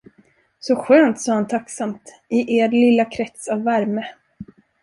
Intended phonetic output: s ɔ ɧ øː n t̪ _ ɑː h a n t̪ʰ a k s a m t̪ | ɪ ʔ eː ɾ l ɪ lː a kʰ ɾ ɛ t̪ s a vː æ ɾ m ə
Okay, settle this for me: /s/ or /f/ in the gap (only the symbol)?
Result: s